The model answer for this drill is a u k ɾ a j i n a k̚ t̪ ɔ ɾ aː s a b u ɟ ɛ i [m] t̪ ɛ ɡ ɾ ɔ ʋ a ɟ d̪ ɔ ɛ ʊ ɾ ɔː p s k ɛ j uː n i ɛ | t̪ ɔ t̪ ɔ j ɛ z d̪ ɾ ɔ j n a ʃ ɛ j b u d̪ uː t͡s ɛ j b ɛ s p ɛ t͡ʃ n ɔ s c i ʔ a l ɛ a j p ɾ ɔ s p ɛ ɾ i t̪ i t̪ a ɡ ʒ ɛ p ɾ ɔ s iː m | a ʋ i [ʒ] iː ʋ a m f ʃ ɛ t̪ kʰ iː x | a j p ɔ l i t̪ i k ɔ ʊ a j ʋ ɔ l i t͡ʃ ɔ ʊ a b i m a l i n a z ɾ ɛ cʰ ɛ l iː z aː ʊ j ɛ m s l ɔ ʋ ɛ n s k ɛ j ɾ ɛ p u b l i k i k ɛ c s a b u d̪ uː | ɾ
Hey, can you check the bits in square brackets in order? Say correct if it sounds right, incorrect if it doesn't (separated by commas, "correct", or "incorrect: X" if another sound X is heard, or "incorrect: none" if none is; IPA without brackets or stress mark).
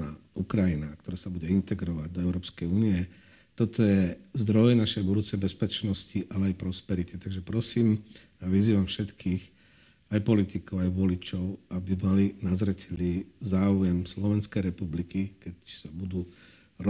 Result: incorrect: n, incorrect: z